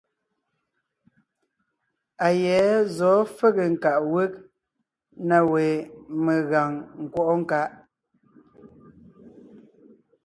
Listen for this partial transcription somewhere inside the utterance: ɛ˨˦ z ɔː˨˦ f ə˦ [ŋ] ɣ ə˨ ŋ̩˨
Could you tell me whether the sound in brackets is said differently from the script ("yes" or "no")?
yes